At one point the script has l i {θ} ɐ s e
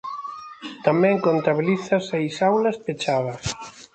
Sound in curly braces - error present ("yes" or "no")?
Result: no